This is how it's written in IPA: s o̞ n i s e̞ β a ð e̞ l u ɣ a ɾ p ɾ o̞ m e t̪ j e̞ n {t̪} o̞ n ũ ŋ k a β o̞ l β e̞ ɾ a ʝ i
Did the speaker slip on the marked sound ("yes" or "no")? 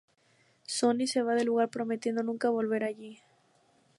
yes